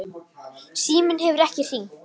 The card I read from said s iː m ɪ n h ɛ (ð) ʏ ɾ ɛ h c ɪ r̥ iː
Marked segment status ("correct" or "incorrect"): incorrect